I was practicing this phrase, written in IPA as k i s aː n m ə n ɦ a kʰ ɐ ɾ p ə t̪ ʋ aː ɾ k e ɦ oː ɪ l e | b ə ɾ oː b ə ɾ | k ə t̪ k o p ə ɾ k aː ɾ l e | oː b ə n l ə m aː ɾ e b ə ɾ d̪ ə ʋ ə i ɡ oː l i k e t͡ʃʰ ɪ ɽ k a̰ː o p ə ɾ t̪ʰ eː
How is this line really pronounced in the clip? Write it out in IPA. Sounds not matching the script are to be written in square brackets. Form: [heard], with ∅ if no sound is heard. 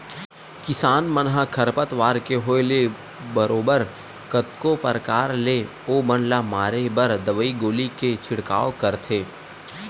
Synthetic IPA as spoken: k [ɪ] s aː n m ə n ɦ a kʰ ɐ ɾ p ə t̪ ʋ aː ɾ k e ɦ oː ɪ l e | b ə ɾ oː b ə ɾ | k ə t̪ k o p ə ɾ k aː ɾ l e | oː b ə n l [a] m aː ɾ e b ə ɾ d̪ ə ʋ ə i ɡ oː l i k e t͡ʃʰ ɪ ɽ k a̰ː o [k] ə ɾ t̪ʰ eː

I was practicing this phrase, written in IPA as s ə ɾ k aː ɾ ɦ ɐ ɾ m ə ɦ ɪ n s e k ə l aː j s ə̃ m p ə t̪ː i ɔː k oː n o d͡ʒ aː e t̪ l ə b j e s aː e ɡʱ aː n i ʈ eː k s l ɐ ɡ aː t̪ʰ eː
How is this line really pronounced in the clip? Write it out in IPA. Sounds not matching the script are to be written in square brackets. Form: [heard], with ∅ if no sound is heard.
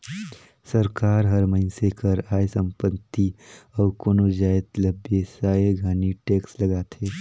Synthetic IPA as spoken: s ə ɾ k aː ɾ ɦ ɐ ɾ m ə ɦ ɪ n s e k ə [ɾ] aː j s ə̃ m p ə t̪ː i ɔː k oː n o d͡ʒ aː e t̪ l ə b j e s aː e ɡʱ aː n i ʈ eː k s l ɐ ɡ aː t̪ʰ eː

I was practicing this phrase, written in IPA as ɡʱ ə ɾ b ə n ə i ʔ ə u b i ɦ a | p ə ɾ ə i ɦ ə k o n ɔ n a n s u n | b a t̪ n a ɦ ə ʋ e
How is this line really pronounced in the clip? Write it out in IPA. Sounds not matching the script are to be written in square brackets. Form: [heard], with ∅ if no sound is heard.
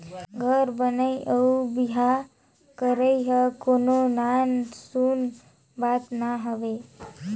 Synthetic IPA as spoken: ɡʱ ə ɾ b ə n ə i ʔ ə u b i ɦ a | [k] ə ɾ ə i ɦ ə k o n [o] n a n s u n | b a t̪ n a ɦ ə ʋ e

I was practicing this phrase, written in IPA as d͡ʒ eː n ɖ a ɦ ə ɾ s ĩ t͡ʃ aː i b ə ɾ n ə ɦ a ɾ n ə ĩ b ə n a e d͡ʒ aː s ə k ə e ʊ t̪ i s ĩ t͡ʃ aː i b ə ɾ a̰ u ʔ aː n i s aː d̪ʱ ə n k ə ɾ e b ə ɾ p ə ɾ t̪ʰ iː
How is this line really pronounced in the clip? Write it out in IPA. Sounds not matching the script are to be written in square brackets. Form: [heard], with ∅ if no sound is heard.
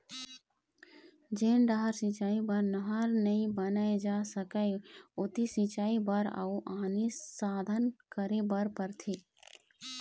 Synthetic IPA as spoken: d͡ʒ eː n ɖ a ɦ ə ɾ s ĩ t͡ʃ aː i b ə ɾ n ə ɦ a ɾ n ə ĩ b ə n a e d͡ʒ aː s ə k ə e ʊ t̪ i s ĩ t͡ʃ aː i b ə ɾ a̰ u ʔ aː n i s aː d̪ʱ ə n k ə ɾ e b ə ɾ p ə ɾ t̪ʰ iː

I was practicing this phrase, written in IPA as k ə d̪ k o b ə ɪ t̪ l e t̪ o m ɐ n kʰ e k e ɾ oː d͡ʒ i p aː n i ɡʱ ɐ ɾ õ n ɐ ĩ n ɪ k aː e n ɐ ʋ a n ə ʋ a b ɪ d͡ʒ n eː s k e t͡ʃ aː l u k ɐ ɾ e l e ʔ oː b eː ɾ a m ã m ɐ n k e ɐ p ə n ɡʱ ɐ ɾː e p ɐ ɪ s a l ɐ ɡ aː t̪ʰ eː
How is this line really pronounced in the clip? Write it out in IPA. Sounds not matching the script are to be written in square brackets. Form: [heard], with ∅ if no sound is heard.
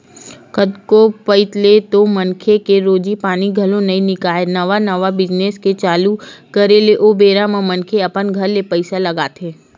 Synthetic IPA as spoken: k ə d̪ k o [p] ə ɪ t̪ l e t̪ o m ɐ n kʰ e k e ɾ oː d͡ʒ i p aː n i ɡʱ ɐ [l] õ n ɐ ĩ n ɪ k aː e n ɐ ʋ a n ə ʋ a b ɪ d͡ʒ n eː s k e t͡ʃ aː l u k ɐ ɾ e l e ʔ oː b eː ɾ a m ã m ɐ n [kʰ] e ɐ p ə n ɡʱ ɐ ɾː e p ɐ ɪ s a l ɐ ɡ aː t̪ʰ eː

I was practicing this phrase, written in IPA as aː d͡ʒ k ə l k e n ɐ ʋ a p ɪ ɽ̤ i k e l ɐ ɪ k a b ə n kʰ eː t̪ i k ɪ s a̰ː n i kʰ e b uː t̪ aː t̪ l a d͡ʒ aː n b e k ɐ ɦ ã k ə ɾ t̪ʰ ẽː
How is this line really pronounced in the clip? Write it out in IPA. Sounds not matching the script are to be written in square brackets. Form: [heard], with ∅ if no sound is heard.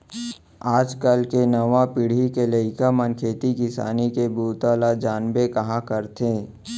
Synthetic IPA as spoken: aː d͡ʒ k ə l k e n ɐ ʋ a p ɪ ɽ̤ i k e l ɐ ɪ k a [m] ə n kʰ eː t̪ i k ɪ s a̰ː n i [k] e b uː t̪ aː [∅] l a d͡ʒ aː n b e k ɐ ɦ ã k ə ɾ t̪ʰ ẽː

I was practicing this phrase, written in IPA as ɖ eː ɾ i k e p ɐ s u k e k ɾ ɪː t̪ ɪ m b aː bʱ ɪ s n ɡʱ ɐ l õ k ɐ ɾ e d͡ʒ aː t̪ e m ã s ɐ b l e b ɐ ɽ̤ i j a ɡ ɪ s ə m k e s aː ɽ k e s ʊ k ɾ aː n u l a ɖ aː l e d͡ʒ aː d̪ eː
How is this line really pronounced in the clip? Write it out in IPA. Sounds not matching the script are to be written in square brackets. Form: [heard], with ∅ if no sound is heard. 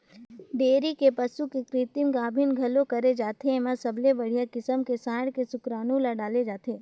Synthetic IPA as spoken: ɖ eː ɾ i k e p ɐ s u k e k ɾ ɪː t̪ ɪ m [ɡ] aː bʱ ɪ [∅] n ɡʱ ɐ l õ k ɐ ɾ e d͡ʒ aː t̪ e m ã s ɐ b l e b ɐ ɽ̤ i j a [k] ɪ s ə m k e s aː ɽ k e s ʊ k ɾ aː n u l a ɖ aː l e d͡ʒ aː [t̪] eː

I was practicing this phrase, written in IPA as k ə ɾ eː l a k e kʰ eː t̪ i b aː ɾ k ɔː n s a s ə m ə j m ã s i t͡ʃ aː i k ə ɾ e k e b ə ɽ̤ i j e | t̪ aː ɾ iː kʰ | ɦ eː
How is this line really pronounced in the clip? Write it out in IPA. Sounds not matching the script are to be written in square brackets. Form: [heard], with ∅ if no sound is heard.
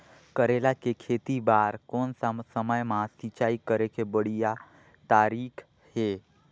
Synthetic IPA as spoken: k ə ɾ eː l a k e kʰ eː t̪ i b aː ɾ k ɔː n s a s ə m ə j m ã s i t͡ʃ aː i k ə ɾ e k e b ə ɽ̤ i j [a] | t̪ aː ɾ iː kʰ | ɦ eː

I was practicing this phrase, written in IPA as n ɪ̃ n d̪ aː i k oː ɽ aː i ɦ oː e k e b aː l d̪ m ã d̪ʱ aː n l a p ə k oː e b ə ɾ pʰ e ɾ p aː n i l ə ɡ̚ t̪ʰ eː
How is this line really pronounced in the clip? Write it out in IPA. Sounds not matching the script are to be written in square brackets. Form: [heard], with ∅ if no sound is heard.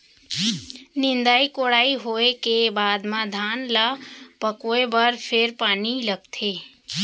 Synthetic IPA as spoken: n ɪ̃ n d̪ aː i k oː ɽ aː i ɦ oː e k e b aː [∅] d̪ m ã d̪ʱ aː n l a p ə k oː e b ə ɾ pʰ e ɾ p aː n i l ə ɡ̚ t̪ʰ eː

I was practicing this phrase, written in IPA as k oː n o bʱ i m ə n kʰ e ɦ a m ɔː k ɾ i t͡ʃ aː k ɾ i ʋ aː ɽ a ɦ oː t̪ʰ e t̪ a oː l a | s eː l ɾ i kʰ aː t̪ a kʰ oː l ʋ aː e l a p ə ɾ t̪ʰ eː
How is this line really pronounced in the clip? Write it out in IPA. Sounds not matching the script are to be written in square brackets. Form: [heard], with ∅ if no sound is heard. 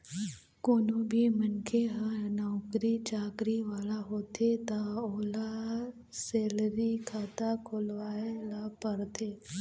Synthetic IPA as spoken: k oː n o bʱ i m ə n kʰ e ɦ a [n] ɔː k ɾ i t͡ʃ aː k ɾ i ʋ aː [l] a ɦ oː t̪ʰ e t̪ a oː l a | s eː l ɾ i kʰ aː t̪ a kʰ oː l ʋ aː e l a p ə ɾ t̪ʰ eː

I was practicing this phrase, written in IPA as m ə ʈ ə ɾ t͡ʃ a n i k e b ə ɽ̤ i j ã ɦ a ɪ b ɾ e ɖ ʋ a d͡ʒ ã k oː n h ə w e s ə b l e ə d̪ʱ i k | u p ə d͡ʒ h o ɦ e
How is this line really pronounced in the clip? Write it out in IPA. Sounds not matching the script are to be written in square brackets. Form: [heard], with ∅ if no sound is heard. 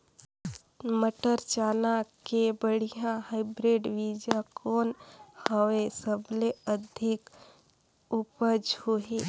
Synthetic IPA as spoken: m ə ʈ ə ɾ t͡ʃ a n [a] k e b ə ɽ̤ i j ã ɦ a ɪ b ɾ e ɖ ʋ [i] d͡ʒ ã k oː n h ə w e s ə b l e ə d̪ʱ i k | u p ə d͡ʒ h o ɦ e

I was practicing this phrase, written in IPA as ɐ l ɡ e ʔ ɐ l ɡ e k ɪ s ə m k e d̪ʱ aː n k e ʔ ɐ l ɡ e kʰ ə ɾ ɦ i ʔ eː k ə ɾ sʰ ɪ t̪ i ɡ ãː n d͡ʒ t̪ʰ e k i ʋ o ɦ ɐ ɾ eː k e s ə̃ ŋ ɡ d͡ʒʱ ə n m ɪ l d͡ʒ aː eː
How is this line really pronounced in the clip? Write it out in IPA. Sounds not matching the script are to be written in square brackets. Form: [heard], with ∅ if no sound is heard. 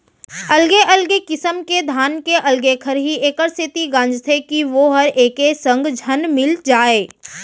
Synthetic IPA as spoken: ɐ l ɡ e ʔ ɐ l ɡ e k ɪ s ə m k e d̪ʱ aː n k e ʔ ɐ l ɡ e kʰ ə ɾ ɦ i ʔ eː k ə ɾ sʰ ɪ t̪ i ɡ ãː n d͡ʒ t̪ʰ e k i ʋ o ɦ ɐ ɾ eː k e s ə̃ ŋ ɡ d͡ʒʱ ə n m ɪ l d͡ʒ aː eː

